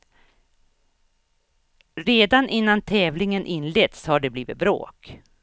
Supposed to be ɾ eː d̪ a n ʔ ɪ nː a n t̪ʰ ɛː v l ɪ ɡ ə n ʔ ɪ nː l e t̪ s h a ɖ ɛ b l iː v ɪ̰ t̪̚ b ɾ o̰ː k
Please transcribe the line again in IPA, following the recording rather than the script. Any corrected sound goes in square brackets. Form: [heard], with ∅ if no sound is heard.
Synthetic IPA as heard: ɾ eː d̪ a n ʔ ɪ nː a n t̪ʰ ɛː v l ɪ [ŋ] ə n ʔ ɪ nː l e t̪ s h a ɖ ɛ b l iː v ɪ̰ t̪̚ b ɾ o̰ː k